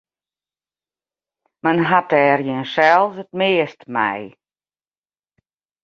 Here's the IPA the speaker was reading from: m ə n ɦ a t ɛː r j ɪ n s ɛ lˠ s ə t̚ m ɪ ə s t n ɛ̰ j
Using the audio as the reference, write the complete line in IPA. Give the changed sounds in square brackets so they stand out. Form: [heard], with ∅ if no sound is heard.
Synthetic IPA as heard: m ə n ɦ a t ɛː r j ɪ n s ɛ lˠ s ə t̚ m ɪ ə s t [m] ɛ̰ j

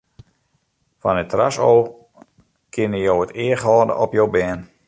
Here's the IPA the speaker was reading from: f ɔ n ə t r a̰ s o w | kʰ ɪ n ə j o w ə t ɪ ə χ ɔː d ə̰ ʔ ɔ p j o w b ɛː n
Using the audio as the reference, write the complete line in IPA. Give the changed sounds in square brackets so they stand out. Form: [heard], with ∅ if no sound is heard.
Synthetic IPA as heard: f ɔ n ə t r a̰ s o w | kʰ ɪ n ə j o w ə t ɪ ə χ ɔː d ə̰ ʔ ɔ p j o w b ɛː n

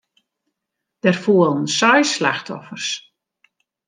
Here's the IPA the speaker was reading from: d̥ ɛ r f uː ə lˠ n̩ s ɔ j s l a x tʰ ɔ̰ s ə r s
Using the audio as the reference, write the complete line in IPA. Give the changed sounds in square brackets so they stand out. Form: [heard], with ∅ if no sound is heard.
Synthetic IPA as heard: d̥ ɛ r f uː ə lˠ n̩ s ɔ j s l a x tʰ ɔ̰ [f] ə r s

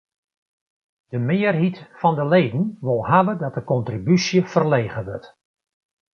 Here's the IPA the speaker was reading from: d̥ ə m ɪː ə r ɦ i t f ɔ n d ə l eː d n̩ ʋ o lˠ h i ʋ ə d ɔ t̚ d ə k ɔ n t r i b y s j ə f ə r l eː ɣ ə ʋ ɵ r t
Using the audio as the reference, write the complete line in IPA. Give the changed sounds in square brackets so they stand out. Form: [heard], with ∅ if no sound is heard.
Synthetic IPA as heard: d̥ ə m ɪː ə r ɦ i t f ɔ n d ə l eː d n̩ ʋ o lˠ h [a] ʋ ə d ɔ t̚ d ə k ɔ n t r i b y s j ə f ə r l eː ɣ ə ʋ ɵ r t

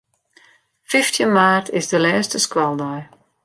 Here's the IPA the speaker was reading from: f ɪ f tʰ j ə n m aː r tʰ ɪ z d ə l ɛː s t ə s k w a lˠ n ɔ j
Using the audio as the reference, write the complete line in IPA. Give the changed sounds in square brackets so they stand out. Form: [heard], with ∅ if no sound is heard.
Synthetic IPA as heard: f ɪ f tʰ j ə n m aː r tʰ ɪ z d ə l ɛː s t ə s k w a lˠ [d] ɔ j

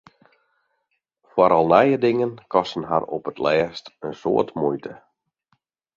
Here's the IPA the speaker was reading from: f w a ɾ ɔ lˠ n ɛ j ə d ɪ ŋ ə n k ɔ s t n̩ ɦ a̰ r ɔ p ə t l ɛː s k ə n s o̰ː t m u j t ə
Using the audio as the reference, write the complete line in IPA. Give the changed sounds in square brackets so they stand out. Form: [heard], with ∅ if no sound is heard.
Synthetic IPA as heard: f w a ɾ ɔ lˠ n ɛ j ə d ɪ ŋ ə n k ɔ s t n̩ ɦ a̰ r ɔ p ə t l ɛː s [t] ə n s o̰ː t m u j t ə

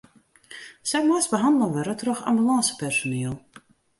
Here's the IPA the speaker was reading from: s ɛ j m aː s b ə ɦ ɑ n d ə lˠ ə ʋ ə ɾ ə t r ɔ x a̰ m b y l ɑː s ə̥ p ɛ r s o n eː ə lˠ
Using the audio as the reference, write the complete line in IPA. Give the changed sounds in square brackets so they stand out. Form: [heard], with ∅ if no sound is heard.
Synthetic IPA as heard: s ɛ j m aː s b ə ɦ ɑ n d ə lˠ ə ʋ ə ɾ ə t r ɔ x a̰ m b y l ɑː s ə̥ p ɛ r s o n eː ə lˠ

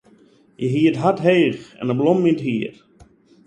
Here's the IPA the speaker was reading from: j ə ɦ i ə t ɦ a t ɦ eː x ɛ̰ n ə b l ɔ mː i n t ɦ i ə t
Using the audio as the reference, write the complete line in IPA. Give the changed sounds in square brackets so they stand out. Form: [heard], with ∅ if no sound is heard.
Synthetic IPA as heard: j ə ɦ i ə t ɦ a t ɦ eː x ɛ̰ n ə b l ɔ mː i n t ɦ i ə t

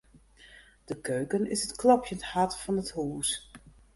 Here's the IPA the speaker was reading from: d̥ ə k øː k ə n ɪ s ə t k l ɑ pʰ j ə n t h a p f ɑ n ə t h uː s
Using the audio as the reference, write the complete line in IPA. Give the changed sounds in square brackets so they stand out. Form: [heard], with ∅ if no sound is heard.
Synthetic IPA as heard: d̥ ə k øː k ə n ɪ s ə t k l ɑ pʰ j ə n t h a [t] f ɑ n ə t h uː s

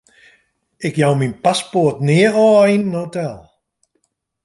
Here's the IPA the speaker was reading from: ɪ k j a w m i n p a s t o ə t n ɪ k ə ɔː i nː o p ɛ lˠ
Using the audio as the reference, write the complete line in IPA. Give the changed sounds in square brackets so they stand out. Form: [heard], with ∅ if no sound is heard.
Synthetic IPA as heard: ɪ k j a w m i n p a s [p] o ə t n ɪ [∅] ə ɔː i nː o [t] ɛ lˠ

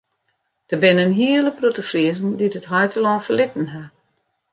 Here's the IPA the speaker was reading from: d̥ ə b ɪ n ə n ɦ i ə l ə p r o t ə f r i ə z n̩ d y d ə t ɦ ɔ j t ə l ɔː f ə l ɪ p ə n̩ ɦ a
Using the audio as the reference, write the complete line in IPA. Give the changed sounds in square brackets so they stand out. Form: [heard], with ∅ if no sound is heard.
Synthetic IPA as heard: d̥ ə b ɪ n ə n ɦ i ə l ə p r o t ə f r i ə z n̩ d [i] d ə t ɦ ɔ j t ə l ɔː f ə l ɪ [t] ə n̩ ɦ a

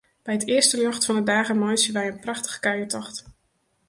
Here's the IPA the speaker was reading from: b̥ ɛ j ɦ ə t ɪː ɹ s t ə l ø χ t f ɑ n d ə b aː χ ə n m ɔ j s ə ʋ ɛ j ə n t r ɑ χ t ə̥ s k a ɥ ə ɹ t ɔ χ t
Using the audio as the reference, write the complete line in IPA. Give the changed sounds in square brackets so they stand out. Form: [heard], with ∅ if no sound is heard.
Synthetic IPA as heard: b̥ ɛ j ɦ ə t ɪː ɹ s t ə l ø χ t f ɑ n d ə [d] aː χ ə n m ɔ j s ə ʋ ɛ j ə n [p] r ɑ χ t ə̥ [χ] k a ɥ ə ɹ t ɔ χ t

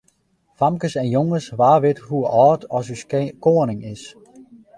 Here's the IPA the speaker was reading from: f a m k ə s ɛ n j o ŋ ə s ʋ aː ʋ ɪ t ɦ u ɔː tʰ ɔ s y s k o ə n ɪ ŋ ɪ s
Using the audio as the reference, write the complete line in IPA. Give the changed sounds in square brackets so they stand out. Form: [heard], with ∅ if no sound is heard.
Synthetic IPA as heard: f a m k ə s ɛ n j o ŋ ə s ʋ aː ʋ ɪ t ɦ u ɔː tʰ ɔ s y s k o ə n ɪ ŋ ɪ s

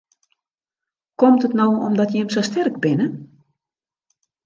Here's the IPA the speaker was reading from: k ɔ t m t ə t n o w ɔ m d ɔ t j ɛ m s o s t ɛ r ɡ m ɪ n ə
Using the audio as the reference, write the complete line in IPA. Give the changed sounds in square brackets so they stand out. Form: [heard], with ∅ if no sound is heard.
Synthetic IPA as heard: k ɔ [∅] m t ə t n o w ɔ m d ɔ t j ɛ m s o s t ɛ r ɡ [b] ɪ n ə

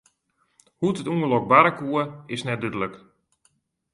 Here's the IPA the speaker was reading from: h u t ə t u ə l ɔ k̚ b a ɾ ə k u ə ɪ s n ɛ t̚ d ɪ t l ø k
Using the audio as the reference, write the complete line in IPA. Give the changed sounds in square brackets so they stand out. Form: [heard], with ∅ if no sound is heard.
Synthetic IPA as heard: h u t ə t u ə l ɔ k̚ b a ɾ ə k u ə ɪ s n ɛ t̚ d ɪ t l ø k

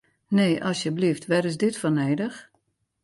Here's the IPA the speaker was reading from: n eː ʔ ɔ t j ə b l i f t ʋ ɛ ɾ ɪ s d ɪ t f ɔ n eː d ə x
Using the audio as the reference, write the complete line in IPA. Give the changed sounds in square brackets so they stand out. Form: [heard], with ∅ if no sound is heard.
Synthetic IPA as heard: n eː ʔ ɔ [s] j ə b l i f t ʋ ɛ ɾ ɪ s d ɪ t f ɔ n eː d ə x

